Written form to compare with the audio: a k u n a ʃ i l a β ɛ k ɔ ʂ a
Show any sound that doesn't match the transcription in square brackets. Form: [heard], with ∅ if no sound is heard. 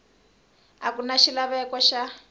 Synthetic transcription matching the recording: a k u n a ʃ i l a β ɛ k ɔ [ʃ] a